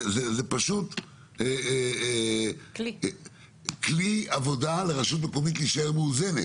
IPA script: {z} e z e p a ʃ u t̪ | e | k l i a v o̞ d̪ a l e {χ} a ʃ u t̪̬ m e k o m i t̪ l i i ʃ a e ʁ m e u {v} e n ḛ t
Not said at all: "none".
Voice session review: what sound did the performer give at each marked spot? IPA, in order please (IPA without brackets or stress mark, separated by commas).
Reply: z, ʁ, z